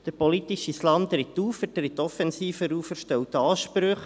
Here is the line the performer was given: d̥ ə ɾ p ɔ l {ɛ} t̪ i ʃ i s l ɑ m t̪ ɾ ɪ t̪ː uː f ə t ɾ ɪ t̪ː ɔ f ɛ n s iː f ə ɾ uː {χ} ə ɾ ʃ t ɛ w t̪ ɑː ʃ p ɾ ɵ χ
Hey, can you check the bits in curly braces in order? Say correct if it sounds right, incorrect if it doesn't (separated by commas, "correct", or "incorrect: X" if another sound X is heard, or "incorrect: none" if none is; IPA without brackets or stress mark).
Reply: incorrect: i, incorrect: f